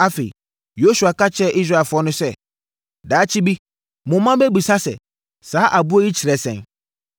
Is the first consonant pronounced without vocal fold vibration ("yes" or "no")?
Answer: yes